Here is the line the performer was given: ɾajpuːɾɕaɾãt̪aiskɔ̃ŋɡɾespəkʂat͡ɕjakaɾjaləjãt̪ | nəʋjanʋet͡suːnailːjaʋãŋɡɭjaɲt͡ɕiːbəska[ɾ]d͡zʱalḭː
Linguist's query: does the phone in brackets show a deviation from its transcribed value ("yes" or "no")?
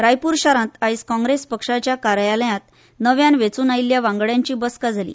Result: yes